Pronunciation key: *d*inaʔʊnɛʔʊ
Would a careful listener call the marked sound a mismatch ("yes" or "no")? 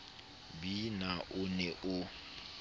yes